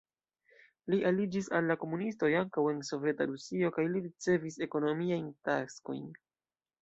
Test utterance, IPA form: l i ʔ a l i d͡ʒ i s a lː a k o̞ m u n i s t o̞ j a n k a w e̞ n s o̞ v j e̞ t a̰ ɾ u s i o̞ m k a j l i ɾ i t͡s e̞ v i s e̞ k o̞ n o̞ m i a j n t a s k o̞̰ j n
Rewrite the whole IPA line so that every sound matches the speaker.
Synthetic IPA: l i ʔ a l i d͡ʒ i s a lː a k o̞ m u n i s t o̞ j a ŋ k a w e̞ n s o̞ v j e̞ t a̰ ɾ u s i o̞ k a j l i ɾ i t͡s e̞ v i s e̞ k o̞ n o̞ m i a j n t a s k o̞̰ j n